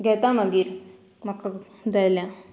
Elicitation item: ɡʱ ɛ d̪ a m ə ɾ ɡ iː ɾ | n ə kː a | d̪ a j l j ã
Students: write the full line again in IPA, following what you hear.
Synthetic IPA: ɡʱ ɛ t̪ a m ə ɡ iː ɾ | m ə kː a | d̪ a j l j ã